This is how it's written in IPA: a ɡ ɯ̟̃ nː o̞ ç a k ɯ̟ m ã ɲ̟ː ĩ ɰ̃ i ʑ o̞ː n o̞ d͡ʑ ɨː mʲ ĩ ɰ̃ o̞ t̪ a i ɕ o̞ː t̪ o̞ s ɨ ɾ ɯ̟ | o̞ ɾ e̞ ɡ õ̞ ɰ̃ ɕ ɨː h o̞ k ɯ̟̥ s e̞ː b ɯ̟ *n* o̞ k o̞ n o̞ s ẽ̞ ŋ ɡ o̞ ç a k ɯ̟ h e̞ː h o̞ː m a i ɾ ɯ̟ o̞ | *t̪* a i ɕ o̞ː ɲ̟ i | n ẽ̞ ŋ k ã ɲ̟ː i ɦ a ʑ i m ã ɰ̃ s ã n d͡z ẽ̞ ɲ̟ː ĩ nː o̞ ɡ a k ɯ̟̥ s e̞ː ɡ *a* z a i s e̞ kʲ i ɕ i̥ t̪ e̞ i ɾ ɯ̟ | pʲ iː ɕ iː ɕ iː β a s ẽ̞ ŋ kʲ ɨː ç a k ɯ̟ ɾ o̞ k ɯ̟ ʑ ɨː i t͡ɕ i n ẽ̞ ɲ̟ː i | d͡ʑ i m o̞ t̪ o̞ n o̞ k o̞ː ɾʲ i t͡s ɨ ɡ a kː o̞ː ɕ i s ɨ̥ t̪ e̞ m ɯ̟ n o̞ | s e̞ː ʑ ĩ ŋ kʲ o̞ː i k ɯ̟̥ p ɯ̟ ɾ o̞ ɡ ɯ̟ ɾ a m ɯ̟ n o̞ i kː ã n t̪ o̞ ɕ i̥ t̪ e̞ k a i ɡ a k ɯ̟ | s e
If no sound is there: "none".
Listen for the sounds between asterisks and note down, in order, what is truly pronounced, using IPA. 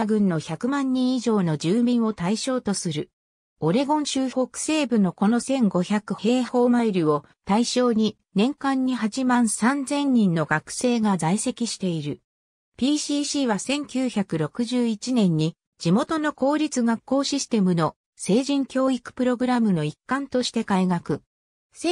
n, t̪, a

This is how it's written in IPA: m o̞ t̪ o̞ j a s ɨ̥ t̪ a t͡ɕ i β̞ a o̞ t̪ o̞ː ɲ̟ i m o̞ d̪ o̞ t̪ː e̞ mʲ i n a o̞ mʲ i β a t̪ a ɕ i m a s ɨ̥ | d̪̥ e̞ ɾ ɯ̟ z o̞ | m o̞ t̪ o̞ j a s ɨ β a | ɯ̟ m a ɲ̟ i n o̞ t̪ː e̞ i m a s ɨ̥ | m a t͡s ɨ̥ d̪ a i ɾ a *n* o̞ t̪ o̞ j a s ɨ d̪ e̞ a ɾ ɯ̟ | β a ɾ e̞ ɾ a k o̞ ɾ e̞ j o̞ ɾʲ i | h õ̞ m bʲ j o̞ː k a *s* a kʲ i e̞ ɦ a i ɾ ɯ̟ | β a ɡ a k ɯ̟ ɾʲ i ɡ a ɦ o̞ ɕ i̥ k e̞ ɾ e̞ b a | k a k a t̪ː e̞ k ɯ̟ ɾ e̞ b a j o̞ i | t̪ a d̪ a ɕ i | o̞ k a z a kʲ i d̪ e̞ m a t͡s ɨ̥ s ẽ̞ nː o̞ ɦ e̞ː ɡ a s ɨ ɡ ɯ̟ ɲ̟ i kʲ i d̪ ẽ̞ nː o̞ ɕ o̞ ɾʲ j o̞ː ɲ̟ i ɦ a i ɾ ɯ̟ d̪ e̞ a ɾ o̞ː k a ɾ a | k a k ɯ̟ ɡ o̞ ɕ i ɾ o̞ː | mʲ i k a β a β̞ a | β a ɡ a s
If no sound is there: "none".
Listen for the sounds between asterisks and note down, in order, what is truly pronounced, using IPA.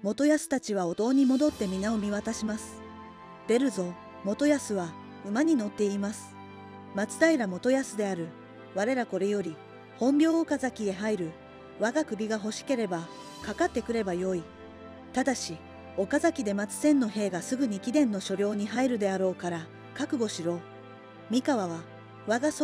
m, z

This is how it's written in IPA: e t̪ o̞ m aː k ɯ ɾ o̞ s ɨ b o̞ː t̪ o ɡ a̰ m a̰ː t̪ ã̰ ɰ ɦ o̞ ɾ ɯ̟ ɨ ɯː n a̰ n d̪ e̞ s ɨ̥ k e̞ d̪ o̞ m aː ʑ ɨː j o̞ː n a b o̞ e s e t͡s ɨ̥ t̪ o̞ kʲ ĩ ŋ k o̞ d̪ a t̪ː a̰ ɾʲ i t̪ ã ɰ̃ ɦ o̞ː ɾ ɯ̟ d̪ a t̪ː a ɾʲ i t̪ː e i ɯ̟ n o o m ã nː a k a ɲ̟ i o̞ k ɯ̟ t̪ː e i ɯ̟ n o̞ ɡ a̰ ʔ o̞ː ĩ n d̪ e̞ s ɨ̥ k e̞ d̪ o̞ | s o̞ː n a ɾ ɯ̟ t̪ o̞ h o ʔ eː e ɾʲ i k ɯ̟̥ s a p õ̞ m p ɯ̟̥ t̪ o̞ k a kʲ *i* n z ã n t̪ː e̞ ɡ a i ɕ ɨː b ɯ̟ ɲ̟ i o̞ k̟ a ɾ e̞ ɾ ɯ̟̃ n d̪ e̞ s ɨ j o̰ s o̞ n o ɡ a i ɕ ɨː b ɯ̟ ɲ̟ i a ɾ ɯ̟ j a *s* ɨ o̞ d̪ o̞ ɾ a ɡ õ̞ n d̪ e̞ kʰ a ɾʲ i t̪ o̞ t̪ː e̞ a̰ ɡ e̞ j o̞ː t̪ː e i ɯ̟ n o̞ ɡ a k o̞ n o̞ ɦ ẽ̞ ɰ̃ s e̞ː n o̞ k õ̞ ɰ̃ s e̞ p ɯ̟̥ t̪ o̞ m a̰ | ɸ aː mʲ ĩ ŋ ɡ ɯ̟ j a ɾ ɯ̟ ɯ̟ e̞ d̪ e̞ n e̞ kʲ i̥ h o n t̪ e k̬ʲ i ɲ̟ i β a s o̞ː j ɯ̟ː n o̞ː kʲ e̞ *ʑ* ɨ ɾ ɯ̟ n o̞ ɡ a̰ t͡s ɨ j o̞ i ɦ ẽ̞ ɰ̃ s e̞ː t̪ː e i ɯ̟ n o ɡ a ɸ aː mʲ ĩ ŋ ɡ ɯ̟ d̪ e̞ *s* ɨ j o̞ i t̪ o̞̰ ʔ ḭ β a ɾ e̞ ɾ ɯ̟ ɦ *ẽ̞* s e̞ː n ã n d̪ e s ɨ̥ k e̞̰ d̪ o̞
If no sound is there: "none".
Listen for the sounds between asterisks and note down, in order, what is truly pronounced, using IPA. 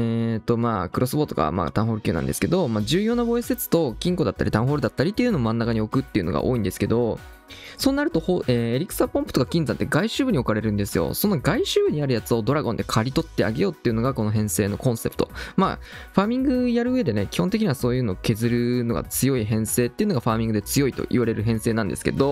ĩ, t͡s, z, t͡s, ẽ̞

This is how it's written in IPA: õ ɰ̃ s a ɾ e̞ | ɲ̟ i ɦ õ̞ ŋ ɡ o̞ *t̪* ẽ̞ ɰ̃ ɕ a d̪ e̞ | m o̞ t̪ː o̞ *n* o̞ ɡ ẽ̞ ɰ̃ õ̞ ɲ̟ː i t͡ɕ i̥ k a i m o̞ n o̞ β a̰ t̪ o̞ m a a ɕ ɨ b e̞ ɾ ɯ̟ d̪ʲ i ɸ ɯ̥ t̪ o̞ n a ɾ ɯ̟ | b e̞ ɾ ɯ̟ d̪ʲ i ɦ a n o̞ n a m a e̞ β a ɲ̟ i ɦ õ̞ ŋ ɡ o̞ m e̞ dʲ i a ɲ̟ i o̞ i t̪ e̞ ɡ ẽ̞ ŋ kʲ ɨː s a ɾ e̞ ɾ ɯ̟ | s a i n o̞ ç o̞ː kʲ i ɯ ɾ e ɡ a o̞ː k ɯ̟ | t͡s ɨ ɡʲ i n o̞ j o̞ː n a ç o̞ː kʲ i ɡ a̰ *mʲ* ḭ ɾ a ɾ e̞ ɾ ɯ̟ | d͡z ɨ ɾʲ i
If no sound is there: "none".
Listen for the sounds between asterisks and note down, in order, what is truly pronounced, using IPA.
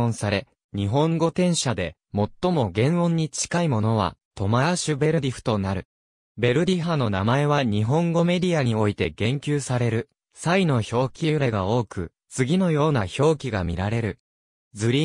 t̪, m, mʲ

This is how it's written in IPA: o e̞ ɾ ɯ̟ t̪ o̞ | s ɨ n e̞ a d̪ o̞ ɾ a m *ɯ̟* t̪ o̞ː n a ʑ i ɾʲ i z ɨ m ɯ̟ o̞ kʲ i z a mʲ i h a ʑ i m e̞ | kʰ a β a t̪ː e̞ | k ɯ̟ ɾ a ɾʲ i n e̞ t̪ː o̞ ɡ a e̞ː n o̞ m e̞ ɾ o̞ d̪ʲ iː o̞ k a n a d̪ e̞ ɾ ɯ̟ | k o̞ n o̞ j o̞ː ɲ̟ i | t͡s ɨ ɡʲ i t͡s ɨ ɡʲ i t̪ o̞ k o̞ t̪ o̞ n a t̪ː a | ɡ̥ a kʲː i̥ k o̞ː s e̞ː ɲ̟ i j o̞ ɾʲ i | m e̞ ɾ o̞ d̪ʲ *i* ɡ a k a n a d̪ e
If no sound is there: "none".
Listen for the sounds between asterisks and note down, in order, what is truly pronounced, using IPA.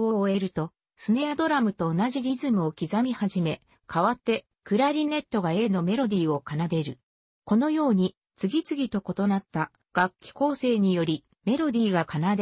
ɯ̟, iː

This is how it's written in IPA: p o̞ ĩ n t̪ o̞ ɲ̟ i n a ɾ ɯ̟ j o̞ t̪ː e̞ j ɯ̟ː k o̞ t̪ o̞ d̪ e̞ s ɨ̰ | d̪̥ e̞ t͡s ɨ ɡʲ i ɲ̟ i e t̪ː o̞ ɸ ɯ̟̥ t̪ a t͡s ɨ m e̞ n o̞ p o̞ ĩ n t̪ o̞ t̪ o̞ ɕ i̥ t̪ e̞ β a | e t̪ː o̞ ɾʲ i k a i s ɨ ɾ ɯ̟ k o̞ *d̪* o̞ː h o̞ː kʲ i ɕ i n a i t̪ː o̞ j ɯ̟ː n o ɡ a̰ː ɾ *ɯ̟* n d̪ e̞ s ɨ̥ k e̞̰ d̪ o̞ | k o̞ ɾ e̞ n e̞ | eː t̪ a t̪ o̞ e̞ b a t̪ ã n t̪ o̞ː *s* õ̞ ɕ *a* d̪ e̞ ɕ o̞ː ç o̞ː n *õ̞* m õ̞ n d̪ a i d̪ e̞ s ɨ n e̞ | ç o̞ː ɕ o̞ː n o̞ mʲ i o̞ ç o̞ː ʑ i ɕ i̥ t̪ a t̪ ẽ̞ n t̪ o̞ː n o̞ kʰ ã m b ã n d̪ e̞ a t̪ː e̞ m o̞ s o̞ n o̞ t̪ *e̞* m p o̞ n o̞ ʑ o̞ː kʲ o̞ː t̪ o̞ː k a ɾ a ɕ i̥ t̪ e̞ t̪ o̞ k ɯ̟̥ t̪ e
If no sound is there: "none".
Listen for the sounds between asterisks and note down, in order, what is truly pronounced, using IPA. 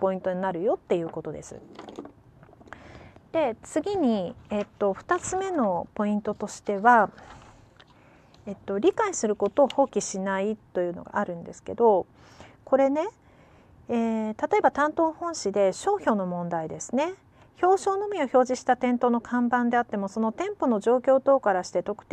t̪, ɯ̟̃, h, i, o̞, ẽ̞

